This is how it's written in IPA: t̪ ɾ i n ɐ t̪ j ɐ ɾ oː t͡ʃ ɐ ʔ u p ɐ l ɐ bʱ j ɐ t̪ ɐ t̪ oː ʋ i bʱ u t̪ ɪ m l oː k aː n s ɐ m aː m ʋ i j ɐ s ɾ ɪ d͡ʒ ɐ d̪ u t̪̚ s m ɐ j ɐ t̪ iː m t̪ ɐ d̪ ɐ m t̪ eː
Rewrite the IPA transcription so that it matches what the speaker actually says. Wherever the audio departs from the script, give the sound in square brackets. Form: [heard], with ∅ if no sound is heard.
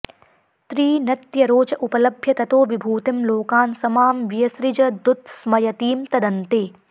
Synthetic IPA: t̪ ɾ [iː] n ɐ t̪ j ɐ ɾ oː t͡ʃ ɐ ʔ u p ɐ l ɐ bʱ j ɐ t̪ ɐ t̪ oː ʋ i bʱ [uː] t̪ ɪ m l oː k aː n s ɐ m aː m ʋ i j ɐ s ɾ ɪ d͡ʒ ɐ d̪ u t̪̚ s m ɐ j ɐ t̪ iː m t̪ ɐ d̪ ɐ [n] t̪ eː